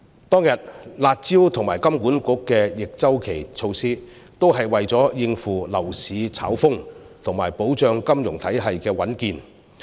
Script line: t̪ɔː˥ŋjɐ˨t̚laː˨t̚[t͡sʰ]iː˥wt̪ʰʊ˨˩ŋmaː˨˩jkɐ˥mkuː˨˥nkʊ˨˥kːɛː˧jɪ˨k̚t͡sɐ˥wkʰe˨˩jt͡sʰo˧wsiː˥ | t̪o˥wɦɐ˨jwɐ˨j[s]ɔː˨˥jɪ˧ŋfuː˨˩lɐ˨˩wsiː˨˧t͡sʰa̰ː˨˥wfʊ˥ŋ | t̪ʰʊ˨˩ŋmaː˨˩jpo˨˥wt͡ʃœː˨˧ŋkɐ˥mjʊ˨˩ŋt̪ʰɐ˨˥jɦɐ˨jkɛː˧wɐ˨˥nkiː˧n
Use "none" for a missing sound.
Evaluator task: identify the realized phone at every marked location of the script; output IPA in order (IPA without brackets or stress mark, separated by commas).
t͡s, t͡s